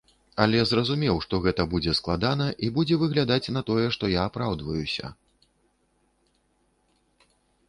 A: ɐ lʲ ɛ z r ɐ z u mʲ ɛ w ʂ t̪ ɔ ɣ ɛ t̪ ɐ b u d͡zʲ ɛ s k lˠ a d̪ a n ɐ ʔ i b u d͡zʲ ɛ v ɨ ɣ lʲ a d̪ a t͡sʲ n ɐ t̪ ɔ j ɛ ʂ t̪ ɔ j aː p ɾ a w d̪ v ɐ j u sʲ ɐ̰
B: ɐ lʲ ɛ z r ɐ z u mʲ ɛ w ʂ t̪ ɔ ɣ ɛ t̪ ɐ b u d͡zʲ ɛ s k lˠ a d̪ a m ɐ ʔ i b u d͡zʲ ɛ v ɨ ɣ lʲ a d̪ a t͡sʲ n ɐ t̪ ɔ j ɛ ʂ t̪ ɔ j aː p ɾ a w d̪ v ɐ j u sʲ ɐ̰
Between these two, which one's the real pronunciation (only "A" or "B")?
A